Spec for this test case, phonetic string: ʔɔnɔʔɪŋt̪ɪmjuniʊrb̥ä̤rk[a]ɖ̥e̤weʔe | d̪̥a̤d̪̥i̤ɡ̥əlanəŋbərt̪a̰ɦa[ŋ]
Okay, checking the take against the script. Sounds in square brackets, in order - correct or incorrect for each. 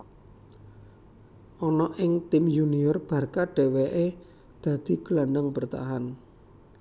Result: correct, incorrect: n

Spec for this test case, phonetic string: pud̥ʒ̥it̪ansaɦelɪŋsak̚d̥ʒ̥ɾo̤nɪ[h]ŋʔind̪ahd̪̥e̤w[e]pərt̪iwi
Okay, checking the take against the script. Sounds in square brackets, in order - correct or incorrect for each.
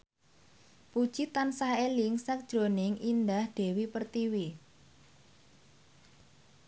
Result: incorrect: none, incorrect: i

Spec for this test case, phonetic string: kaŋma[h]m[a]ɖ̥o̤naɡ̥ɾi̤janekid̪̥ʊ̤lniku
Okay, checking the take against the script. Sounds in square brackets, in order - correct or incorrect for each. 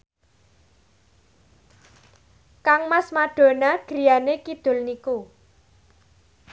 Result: incorrect: s, correct

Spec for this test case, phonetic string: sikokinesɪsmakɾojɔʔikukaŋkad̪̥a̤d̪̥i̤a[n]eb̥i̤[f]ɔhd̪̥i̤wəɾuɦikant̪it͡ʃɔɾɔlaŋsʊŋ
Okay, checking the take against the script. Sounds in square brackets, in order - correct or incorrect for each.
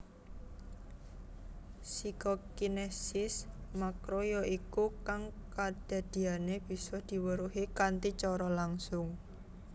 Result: correct, incorrect: s

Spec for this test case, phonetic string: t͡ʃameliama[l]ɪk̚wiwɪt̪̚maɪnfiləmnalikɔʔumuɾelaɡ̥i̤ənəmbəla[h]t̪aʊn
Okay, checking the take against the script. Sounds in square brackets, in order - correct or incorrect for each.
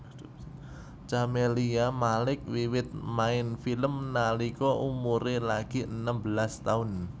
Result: correct, incorrect: s

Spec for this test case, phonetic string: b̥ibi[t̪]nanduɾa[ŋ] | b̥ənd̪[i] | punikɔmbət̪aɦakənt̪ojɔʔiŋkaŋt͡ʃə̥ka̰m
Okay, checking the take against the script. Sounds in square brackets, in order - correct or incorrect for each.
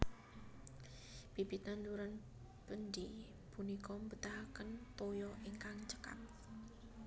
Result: correct, incorrect: n, correct

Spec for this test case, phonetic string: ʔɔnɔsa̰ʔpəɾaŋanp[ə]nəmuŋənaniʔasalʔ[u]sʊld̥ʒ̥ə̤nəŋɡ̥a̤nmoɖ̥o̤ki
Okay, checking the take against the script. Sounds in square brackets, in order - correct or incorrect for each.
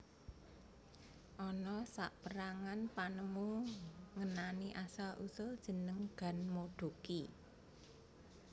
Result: incorrect: a, correct

